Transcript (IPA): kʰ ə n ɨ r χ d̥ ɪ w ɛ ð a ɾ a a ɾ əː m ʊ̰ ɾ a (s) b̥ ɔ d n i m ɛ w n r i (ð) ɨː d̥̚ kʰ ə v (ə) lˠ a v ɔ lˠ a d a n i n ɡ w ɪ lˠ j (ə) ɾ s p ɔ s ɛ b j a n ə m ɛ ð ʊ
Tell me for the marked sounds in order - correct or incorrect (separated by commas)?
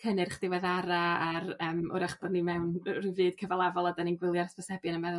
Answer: incorrect, incorrect, incorrect, incorrect